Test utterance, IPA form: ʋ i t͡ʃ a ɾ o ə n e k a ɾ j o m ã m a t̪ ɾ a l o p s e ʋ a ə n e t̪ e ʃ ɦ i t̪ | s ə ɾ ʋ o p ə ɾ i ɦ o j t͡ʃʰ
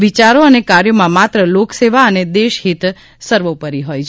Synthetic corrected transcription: ʋ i t͡ʃ a ɾ o ə n e k a ɾ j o m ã m a t̪ ɾ ə l o k s e ʋ a ə n e d̪ e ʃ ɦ i t̪ | s ə ɾ ʋ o p ə ɾ i ɦ o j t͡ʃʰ